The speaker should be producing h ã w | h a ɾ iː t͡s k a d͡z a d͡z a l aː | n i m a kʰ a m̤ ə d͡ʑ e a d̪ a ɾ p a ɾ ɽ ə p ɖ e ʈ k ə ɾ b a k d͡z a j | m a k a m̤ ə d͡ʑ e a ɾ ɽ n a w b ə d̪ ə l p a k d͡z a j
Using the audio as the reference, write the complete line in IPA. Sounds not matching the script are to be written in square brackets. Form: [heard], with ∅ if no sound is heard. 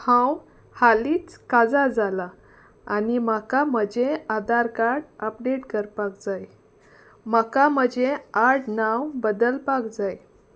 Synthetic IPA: h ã w | h a [l] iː t͡s k a d͡z a d͡z a l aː | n i m a [k] a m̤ ə d͡ʑ e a d̪ a ɾ [k] a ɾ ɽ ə p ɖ e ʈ k ə ɾ [p] a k d͡z a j | m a k a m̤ ə d͡ʑ e a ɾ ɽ n a w b ə d̪ ə l p a k d͡z a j